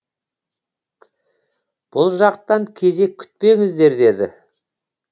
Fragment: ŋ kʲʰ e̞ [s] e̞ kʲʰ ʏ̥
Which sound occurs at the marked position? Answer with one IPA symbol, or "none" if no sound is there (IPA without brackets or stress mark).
z